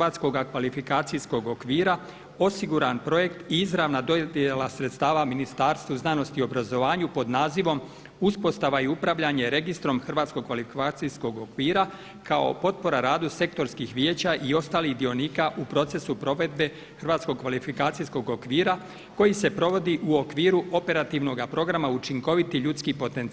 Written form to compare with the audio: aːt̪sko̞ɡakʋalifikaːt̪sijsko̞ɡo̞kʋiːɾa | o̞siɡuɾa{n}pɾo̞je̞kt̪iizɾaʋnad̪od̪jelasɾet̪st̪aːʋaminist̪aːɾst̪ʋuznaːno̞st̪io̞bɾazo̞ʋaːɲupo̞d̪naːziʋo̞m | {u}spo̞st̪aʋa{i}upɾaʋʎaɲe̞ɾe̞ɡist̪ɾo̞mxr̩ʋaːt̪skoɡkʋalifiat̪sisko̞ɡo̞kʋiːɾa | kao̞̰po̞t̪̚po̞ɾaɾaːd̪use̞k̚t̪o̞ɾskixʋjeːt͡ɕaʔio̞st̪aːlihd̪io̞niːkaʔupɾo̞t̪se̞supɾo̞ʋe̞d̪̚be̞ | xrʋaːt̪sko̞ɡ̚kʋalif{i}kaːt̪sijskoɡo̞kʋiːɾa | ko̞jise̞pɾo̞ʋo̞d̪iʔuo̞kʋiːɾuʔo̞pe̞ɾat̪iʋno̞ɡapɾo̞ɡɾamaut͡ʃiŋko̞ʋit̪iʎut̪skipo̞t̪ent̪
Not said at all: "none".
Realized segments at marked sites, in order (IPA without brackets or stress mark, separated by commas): n, u, i, i